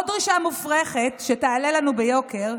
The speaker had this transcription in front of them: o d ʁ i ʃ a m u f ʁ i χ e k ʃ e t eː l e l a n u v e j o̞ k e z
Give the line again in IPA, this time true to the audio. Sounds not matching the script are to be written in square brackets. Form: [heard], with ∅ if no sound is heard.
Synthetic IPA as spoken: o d ʁ i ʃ a m u f ʁ [e] χ e [t] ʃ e t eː l e l a n u [b] e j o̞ k e [ʁ]